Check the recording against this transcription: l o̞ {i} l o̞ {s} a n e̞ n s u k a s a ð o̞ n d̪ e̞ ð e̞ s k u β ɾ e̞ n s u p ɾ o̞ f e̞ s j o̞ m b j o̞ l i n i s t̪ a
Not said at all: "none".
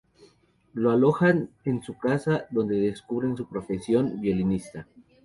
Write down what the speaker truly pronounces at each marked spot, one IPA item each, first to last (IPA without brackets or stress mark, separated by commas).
a, x